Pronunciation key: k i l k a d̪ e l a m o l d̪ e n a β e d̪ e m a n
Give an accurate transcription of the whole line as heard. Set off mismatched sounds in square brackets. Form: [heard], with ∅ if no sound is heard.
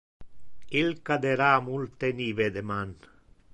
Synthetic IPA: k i l k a d̪ e [ɾ] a m [u] l [t̪] e n [i] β e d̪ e m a n